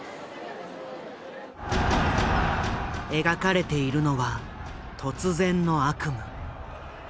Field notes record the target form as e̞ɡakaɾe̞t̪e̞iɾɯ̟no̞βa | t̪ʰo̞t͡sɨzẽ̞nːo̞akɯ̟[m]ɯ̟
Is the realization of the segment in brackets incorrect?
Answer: no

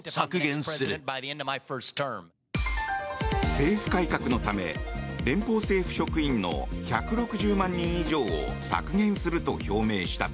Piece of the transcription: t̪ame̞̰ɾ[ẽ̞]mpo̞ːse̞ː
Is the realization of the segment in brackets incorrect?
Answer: no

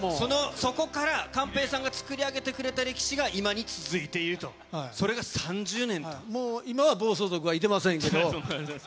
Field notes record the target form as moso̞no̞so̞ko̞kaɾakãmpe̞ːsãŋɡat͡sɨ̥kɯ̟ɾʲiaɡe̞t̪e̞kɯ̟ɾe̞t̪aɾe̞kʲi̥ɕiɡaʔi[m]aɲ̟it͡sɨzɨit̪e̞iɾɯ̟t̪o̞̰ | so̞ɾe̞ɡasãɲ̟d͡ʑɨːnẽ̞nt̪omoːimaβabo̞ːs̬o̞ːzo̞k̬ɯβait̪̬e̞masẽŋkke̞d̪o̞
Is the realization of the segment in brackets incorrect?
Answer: no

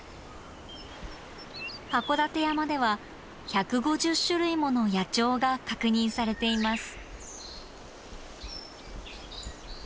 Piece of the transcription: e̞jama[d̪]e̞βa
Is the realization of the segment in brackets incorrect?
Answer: no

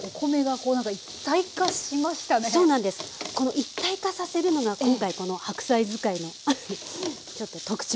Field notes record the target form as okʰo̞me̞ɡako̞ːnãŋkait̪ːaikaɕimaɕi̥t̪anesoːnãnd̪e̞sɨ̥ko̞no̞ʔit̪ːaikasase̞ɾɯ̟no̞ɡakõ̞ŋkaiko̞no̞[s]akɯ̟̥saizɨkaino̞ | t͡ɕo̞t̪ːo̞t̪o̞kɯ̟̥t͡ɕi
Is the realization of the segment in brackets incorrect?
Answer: yes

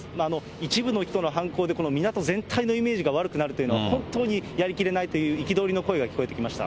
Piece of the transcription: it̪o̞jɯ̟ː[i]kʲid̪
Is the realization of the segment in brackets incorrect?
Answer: no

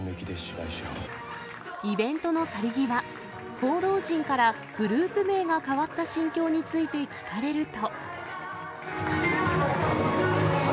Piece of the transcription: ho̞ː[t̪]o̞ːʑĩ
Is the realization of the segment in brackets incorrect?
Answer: yes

